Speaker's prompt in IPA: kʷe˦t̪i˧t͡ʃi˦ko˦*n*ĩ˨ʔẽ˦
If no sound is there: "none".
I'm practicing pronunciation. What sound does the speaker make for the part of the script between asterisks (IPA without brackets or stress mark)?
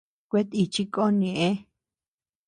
n